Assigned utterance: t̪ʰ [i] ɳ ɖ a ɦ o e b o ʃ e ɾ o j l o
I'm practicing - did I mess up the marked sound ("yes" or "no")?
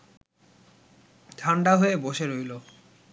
yes